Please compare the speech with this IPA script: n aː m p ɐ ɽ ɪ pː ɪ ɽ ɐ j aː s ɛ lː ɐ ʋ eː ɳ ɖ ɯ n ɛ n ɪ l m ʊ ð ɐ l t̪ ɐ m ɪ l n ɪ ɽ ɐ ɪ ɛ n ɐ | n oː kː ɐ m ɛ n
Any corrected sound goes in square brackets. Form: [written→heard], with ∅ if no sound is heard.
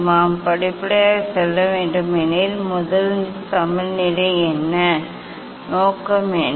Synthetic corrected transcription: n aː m p ɐ ɽ ɪ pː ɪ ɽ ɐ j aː s ɛ lː ɐ ʋ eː ɳ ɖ ɯ [n→m] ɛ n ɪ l m ʊ ð ɐ l t̪ ɐ m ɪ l n ɪ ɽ ɐ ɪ ɛ [n→nː] ɐ | n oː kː ɐ m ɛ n

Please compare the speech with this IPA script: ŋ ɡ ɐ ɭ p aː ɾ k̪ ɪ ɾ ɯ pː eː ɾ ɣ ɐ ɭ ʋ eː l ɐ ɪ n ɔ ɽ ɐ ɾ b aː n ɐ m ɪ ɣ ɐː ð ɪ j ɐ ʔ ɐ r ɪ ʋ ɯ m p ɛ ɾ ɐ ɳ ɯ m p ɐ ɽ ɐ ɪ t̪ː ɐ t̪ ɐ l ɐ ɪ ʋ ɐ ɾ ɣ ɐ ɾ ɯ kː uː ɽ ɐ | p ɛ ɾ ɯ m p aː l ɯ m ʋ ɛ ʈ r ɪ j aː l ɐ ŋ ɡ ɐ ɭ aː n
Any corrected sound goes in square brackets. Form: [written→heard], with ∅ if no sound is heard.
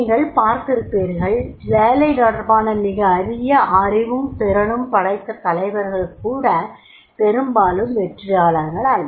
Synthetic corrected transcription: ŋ ɡ ɐ ɭ p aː ɾ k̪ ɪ ɾ ɯ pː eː ɾ ɣ ɐ ɭ ʋ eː l ɐ ɪ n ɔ ɽ ɐ ɾ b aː n ɐ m ɪ ɣ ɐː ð ɪ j ɐ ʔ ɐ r ɪ ʋ ɯ m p ɛ ɾ ɐ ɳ ɯ m p ɐ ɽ ɐ ɪ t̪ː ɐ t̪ ɐ l ɐ ɪ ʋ ɐ ɾ ɣ ɐ [ɾ→ɭ] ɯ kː uː ɽ ɐ | p ɛ ɾ ɯ m [p→b] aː l ɯ m ʋ ɛ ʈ r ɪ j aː l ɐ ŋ ɡ ɐ ɭ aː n

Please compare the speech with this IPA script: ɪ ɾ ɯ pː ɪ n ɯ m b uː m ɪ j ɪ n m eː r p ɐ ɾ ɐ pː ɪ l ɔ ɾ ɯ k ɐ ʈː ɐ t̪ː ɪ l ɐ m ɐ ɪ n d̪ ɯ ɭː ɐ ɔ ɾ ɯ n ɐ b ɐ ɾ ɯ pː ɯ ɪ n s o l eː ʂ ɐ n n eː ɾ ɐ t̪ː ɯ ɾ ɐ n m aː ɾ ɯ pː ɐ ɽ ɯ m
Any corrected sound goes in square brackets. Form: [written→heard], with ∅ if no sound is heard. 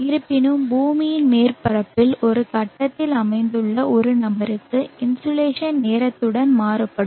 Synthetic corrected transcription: ɪ ɾ ɯ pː ɪ n ɯ m b uː m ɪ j ɪ n m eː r p ɐ ɾ ɐ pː ɪ l ɔ ɾ ɯ k ɐ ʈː ɐ t̪ː ɪ l ɐ m ɐ ɪ n d̪ ɯ ɭː ɐ ɔ ɾ ɯ n ɐ b ɐ ɾ ɯ [pː→kː] ɯ ɪ n s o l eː ʂ ɐ n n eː ɾ ɐ t̪ː ɯ [ɾ→ɽ] ɐ n m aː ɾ ɯ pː ɐ ɽ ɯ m

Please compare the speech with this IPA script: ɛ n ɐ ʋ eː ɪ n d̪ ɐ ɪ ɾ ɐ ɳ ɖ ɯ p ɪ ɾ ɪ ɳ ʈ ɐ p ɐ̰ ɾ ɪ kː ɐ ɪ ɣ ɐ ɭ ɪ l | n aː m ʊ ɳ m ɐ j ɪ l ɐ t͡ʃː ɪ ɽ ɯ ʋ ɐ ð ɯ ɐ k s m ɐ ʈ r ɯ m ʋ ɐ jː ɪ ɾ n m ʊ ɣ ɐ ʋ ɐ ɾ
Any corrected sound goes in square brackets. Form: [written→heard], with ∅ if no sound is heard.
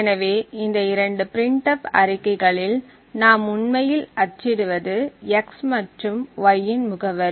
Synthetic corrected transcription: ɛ n ɐ ʋ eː ɪ n d̪ ɐ ɪ ɾ ɐ ɳ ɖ ɯ p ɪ ɾ ɪ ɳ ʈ ɐ p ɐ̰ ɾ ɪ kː ɐ ɪ ɣ ɐ ɭ ɪ l | n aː m ʊ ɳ m ɐ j ɪ l ɐ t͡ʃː ɪ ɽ ɯ ʋ ɐ ð ɯ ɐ k s m ɐ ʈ r ɯ m ʋ ɐ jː ɪ [ɾ→∅] n m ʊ ɣ ɐ ʋ ɐ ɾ

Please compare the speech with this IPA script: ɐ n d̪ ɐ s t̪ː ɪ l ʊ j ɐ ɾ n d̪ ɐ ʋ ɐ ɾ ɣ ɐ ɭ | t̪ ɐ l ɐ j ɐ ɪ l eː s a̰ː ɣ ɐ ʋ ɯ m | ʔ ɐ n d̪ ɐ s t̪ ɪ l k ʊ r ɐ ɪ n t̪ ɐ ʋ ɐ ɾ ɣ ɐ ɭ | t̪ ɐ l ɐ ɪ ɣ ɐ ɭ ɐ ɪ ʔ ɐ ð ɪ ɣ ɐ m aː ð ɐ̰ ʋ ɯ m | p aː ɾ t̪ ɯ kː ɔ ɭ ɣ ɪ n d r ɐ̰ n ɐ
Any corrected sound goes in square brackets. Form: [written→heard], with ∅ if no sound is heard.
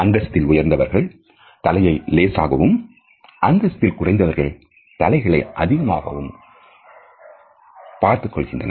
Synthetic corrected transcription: ɐ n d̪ ɐ s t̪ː ɪ l ʊ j ɐ ɾ n d̪ ɐ ʋ ɐ ɾ ɣ ɐ ɭ | t̪ ɐ l ɐ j ɐ ɪ l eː s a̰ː ɣ ɐ ʋ ɯ m | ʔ ɐ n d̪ ɐ s t̪ ɪ l k ʊ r ɐ ɪ n [t̪→d̪] ɐ ʋ ɐ ɾ ɣ ɐ ɭ | t̪ ɐ l ɐ ɪ ɣ ɐ ɭ ɐ ɪ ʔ ɐ ð ɪ ɣ ɐ m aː [ð→ɣ] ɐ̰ ʋ ɯ m | p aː ɾ t̪ ɯ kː ɔ ɭ ɣ ɪ n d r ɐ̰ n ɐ

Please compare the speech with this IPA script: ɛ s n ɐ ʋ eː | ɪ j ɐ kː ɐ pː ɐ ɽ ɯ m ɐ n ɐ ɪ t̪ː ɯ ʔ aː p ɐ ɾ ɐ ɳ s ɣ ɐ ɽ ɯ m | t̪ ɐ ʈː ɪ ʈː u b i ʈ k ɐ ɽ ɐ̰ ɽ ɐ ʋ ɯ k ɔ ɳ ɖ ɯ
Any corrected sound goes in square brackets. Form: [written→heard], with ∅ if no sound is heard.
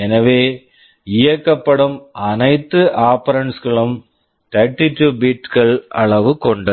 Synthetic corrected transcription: ɛ [s→∅] n ɐ ʋ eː | ɪ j ɐ kː ɐ pː ɐ ɽ ɯ m ɐ n ɐ ɪ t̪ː ɯ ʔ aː p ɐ ɾ ɐ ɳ s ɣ ɐ [ɽ→ɭ] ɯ m | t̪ ɐ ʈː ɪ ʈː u b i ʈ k ɐ [ɽ→ɭ] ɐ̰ [ɽ→ɭ] ɐ ʋ ɯ k ɔ ɳ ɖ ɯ

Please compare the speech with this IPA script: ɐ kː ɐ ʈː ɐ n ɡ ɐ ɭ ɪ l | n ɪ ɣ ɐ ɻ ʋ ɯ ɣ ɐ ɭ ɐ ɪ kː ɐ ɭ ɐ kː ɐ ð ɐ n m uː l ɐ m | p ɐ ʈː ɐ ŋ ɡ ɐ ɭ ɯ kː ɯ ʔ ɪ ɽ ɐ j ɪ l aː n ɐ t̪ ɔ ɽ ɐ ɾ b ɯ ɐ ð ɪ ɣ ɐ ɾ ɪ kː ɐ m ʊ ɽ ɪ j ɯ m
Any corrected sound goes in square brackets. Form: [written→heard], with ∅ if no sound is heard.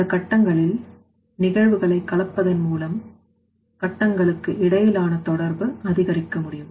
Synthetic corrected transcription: ɐ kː ɐ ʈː ɐ [n→ŋ] ɡ ɐ ɭ ɪ l | n ɪ ɣ ɐ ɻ ʋ ɯ ɣ ɐ ɭ ɐ ɪ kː ɐ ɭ ɐ [kː→pː] ɐ ð ɐ n m uː l ɐ m | [p→k] ɐ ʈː ɐ ŋ ɡ ɐ ɭ ɯ kː ɯ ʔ ɪ ɽ ɐ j ɪ l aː n ɐ t̪ ɔ ɽ ɐ ɾ b ɯ ɐ ð ɪ ɣ ɐ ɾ ɪ kː ɐ m ʊ ɽ ɪ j ɯ m

